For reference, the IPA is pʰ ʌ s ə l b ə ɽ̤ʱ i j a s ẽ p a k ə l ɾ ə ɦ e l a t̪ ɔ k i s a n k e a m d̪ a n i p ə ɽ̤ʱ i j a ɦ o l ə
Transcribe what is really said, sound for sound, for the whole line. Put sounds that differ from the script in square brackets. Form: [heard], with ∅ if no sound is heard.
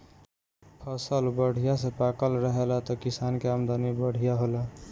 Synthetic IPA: pʰ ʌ s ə l b ə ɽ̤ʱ i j a s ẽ p a k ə l ɾ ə ɦ e l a t̪ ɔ k i s a n k e a m d̪ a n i [b] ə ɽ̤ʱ i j a ɦ o l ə